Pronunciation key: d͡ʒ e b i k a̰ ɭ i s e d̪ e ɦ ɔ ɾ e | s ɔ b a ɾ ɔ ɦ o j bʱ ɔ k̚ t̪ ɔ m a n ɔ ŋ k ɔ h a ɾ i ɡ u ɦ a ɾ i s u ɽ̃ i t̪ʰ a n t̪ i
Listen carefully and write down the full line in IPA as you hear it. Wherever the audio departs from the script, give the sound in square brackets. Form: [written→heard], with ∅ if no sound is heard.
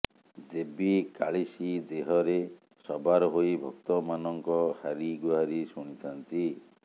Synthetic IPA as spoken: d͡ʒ e b i k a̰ ɭ i s [e→i] d̪ e ɦ ɔ ɾ e | s ɔ b a ɾ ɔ ɦ o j bʱ ɔ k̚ t̪ ɔ m a n ɔ ŋ k ɔ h a ɾ i ɡ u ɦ a ɾ i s u ɽ̃ i t̪ʰ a n t̪ i